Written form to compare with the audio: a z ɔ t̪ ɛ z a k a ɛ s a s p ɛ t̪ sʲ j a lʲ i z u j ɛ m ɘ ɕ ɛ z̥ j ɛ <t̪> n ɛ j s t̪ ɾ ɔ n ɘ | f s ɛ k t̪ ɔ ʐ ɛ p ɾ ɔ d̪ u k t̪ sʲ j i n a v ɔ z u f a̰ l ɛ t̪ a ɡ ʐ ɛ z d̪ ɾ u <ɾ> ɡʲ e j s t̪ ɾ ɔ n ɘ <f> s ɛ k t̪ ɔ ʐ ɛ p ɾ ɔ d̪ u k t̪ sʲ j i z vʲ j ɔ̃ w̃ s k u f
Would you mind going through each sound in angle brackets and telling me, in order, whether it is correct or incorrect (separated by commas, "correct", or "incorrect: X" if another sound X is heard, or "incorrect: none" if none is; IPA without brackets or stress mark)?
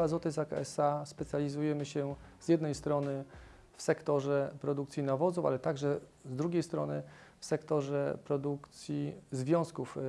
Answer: incorrect: d̪, incorrect: none, correct